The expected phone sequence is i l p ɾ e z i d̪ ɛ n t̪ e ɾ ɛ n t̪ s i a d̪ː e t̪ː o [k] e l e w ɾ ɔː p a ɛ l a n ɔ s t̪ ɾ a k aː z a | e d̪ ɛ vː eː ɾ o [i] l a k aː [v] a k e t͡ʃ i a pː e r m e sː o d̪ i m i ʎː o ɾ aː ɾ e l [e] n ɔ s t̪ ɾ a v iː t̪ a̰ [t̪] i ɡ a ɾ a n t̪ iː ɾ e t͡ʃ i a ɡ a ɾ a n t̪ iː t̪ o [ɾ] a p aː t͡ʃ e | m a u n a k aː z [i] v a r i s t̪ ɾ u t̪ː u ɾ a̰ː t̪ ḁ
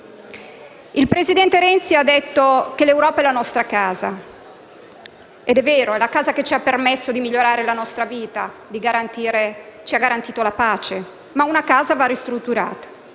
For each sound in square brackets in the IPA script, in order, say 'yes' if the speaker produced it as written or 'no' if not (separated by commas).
yes, no, no, no, no, no, no